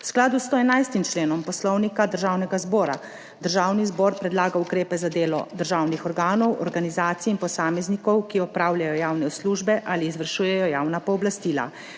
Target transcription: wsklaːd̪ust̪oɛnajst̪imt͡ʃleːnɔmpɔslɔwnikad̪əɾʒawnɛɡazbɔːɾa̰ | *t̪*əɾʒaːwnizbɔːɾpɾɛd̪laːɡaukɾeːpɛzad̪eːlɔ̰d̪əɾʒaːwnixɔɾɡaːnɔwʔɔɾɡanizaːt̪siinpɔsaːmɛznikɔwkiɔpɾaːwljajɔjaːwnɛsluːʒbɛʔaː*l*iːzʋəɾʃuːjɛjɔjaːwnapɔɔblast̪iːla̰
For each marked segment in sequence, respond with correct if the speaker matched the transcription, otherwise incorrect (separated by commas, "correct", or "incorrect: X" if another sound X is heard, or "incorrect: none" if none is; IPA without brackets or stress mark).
incorrect: d̪, correct